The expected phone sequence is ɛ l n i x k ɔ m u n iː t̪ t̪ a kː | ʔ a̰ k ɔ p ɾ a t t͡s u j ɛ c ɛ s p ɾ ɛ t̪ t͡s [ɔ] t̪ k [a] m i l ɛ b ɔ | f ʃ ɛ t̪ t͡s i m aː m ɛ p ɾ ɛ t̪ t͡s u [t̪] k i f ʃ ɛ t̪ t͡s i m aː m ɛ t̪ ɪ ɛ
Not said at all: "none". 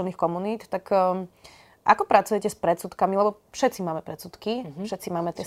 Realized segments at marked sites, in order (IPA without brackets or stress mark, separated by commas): u, a, t̪